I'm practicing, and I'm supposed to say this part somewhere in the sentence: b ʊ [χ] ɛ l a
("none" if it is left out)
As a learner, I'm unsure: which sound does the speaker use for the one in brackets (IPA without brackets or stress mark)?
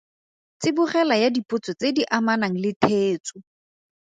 χ